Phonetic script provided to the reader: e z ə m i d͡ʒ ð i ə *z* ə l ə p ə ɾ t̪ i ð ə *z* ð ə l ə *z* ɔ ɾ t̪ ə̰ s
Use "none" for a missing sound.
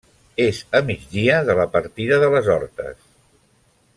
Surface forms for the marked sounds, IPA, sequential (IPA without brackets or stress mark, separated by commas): ð, none, z